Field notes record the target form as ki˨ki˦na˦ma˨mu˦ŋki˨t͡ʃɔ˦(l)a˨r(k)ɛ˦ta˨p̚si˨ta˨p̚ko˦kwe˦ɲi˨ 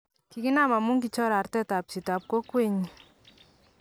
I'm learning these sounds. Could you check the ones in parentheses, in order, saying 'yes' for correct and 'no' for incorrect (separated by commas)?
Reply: no, no